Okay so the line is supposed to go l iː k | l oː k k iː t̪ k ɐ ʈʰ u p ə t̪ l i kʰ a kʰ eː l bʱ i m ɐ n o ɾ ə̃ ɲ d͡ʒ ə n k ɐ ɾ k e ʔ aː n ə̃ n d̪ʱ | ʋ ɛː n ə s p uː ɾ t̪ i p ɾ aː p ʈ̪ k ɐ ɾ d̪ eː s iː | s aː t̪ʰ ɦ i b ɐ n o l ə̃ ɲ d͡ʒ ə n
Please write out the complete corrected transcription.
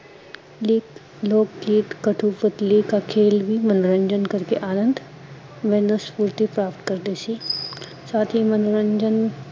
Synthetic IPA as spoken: l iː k | l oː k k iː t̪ k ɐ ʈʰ u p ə t̪ l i k a kʰ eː l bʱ i m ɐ n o ɾ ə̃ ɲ d͡ʒ ə n k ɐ ɾ k e ʔ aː n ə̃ n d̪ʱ | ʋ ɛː n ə s p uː ɾ t̪ i p ɾ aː p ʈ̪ k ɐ ɾ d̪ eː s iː | s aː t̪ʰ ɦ i m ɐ n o ɾ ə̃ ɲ d͡ʒ ə n